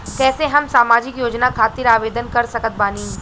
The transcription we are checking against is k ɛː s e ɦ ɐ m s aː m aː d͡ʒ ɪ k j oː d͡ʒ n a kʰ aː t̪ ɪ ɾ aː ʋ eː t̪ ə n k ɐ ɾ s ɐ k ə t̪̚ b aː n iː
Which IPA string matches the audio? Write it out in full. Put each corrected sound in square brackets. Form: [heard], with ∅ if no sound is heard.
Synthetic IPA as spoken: k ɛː s e ɦ ɐ m s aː m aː d͡ʒ ɪ k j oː d͡ʒ n a kʰ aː t̪ ɪ ɾ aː ʋ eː [d̪] ə n k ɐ ɾ s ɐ k ə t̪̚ b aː n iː